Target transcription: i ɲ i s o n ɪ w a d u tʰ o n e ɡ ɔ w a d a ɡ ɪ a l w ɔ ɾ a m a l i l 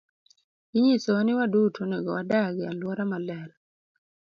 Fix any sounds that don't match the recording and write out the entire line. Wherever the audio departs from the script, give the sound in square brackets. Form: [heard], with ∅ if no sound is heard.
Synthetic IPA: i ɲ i s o n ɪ w a d u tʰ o n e ɡ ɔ w a d a ɡ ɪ a l w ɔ ɾ a m a l [ɛ] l